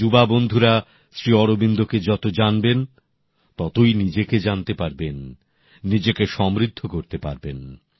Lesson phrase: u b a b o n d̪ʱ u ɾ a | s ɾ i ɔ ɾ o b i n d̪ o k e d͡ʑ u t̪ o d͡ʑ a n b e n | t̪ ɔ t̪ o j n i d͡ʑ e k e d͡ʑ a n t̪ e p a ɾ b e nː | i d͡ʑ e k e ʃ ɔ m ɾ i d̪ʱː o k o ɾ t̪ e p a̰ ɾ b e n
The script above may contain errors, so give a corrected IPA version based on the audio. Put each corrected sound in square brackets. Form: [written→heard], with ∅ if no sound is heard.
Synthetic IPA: u b a b o n d̪ʱ u ɾ a | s ɾ i ɔ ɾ o b i n d̪ o k e d͡ʑ [u→ɔ] t̪ o d͡ʑ a n b e n | t̪ ɔ t̪ o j n i d͡ʑ e k e d͡ʑ a n t̪ e p a ɾ b e nː | i d͡ʑ e k e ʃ ɔ m ɾ i d̪ʱː o k o ɾ t̪ e p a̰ ɾ b e n